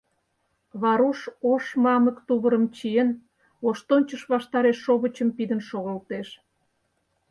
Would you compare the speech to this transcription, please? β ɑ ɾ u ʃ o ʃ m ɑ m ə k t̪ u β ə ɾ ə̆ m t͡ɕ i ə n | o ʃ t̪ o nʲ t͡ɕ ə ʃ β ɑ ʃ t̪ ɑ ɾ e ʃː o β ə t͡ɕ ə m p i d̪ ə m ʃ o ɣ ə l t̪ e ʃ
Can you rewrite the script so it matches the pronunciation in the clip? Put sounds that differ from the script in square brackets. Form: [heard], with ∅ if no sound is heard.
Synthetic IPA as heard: β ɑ ɾ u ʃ o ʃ m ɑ m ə k t̪ u β ə ɾ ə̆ m t͡ɕ i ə n | o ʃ t̪ o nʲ t͡ɕ ə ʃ β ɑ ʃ t̪ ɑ ɾ e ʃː o β ə t͡ɕ ə m p i d̪ ə [n] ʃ o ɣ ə l t̪ e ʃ